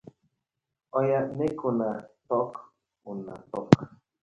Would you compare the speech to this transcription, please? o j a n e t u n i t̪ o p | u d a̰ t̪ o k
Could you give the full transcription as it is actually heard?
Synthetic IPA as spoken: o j a n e k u n a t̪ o k | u n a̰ t̪ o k